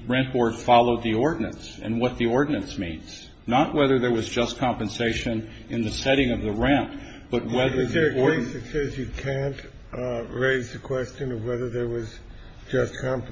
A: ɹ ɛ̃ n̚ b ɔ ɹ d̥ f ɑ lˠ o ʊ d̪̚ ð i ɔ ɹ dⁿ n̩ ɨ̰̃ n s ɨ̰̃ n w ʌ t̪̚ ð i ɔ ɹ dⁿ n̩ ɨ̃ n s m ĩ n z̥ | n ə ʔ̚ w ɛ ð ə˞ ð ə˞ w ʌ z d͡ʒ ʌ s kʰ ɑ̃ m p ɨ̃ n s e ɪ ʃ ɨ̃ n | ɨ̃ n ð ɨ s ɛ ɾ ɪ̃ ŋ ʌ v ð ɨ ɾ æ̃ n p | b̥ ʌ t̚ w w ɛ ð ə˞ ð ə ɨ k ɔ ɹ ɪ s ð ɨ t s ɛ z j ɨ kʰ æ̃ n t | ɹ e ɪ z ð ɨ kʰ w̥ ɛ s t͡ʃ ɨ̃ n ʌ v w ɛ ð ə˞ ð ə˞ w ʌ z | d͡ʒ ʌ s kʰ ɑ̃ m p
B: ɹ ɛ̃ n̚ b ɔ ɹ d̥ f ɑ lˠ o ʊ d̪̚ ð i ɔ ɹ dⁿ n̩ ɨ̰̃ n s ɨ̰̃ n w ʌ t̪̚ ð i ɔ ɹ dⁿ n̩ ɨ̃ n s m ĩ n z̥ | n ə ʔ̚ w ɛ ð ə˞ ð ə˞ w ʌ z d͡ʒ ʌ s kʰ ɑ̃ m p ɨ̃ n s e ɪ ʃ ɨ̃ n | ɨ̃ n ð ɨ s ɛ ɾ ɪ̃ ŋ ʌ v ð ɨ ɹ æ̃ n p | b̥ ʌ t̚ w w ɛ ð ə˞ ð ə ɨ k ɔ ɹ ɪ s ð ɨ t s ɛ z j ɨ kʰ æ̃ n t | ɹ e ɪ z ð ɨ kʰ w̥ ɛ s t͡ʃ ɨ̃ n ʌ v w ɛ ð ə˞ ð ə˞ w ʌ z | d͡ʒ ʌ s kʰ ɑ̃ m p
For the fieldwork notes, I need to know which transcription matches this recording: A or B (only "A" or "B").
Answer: B